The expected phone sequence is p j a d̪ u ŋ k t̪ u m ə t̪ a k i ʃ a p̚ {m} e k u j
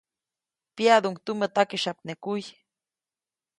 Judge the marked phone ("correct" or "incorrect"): incorrect